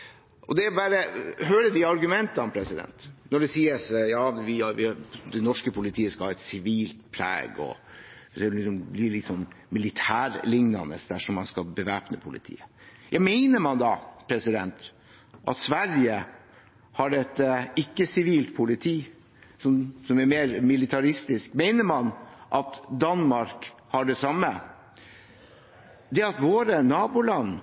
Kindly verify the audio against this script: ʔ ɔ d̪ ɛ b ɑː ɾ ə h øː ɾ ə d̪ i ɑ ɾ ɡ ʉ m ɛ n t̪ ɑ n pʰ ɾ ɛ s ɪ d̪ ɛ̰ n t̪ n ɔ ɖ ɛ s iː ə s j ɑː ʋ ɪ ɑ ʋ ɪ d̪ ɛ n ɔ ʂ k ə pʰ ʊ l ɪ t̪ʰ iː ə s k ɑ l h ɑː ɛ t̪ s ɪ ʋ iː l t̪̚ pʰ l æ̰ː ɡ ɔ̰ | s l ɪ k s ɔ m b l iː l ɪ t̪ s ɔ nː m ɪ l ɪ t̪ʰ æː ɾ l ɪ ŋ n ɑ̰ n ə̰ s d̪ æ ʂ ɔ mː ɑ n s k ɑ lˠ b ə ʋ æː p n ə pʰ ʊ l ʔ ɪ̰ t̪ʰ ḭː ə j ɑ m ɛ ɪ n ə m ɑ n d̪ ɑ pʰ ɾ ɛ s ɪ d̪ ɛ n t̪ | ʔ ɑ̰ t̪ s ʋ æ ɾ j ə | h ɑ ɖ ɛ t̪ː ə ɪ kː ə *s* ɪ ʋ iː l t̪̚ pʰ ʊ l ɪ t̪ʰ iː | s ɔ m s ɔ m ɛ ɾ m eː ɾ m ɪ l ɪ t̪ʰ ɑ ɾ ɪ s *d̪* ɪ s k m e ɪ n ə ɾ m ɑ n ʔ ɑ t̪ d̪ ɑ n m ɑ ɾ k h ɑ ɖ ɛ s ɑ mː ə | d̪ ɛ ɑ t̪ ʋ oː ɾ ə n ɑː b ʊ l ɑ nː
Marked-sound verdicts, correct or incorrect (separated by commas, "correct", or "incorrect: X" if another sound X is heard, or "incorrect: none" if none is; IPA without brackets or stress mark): correct, incorrect: t̪